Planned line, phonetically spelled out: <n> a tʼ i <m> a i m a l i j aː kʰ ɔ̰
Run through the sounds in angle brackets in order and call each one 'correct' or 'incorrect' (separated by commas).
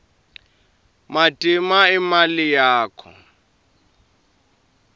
incorrect, correct